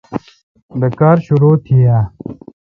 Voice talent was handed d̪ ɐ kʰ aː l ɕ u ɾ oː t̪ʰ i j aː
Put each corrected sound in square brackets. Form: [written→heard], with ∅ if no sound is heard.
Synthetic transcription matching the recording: d̪ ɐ [kʰ→k] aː [l→ɾ] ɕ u ɾ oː t̪ʰ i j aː